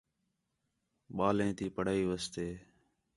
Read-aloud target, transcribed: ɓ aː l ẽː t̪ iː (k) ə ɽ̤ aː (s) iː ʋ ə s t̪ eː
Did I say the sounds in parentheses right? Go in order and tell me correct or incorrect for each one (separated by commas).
incorrect, incorrect